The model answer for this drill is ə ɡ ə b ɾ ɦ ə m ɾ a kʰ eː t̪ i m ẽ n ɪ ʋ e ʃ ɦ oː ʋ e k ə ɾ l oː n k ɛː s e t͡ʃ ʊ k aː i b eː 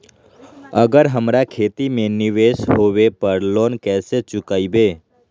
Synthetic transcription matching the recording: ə ɡ ə ɾ ɦ ə m ɾ a kʰ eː t̪ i m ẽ n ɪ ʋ e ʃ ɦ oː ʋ e p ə ɾ l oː n k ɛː s e t͡ʃ ʊ k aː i b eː